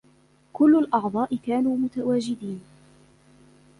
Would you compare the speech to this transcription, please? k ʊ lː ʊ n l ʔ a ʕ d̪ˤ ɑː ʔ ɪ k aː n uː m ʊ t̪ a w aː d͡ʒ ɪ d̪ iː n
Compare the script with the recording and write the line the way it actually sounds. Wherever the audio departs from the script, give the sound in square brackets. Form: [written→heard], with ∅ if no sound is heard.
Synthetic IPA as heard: k ʊ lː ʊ [n→∅] l ʔ [a→ɑ] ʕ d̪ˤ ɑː ʔ ɪ k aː n uː m ʊ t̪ a w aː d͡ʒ ɪ d̪ iː n